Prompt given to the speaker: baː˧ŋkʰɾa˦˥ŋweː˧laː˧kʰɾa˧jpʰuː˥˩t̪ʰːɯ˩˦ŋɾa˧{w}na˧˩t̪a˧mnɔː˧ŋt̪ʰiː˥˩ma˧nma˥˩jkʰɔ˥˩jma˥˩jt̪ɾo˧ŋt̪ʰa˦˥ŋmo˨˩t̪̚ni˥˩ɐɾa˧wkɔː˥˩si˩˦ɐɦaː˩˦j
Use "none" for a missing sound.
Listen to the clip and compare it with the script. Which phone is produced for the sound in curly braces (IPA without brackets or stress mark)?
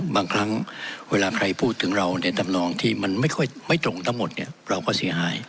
w